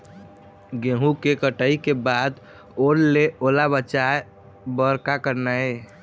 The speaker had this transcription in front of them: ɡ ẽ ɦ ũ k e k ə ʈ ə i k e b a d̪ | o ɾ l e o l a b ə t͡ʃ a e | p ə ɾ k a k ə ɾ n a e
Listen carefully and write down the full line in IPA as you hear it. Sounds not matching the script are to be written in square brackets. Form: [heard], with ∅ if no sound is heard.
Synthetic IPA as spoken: ɡ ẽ ɦ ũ k e k ə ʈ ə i k e b a d̪ | o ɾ l e o l a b ə t͡ʃ a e | [b] ə ɾ k a k ə ɾ n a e